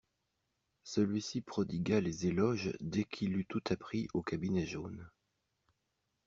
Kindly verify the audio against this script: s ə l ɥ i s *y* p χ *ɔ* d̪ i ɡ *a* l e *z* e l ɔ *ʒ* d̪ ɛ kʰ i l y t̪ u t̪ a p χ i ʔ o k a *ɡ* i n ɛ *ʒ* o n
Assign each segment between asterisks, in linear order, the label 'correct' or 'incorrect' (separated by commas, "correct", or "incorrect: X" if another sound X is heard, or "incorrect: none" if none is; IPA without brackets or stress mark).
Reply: incorrect: i, correct, correct, correct, correct, incorrect: b, correct